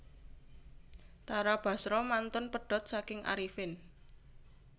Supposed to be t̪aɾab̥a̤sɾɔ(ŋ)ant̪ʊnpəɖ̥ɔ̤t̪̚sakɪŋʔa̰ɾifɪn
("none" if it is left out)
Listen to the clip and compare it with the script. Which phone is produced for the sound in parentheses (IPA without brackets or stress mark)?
m